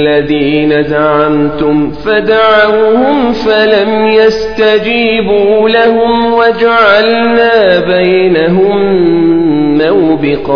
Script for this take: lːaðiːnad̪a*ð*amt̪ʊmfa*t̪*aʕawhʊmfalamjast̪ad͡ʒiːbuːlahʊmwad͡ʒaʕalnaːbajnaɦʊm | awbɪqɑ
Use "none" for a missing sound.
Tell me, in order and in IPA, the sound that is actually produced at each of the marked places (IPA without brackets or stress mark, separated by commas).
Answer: ʕ, d̪